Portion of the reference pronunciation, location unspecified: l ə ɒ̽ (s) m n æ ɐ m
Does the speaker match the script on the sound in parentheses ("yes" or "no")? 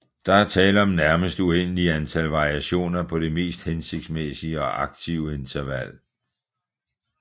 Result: no